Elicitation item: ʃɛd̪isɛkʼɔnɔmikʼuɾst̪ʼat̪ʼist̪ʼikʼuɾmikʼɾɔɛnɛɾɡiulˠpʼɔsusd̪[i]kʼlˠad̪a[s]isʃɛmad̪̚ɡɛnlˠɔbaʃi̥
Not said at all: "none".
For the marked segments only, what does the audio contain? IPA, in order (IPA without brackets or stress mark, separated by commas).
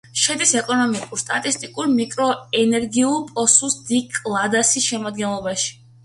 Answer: i, s